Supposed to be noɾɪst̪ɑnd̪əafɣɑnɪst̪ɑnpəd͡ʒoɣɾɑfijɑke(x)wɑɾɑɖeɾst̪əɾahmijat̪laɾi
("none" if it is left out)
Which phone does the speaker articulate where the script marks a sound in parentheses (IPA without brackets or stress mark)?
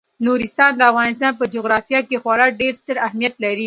x